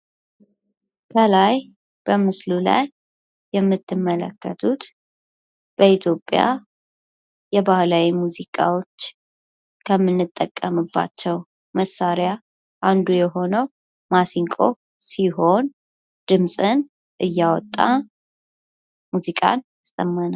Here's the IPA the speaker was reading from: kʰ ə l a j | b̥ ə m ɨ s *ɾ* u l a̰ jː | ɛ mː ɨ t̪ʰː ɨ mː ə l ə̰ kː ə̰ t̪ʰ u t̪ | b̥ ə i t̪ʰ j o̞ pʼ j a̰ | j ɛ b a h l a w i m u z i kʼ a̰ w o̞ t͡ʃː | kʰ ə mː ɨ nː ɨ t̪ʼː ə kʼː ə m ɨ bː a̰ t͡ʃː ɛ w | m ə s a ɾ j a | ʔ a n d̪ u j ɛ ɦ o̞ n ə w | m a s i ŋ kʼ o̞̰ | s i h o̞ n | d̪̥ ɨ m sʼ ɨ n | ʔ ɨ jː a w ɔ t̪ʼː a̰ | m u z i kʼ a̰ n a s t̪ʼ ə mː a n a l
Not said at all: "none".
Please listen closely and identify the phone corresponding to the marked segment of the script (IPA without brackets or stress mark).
l